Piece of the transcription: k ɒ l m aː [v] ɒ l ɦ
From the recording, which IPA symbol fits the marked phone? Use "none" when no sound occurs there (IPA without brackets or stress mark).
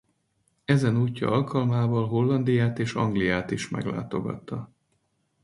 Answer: v